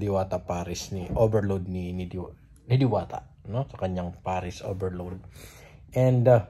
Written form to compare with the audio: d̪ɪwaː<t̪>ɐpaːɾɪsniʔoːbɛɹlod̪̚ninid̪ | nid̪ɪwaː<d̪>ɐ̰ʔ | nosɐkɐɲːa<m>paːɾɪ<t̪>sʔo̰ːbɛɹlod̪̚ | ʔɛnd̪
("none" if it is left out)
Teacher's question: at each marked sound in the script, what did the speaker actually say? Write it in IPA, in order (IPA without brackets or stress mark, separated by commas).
t̪, t̪, ŋ, none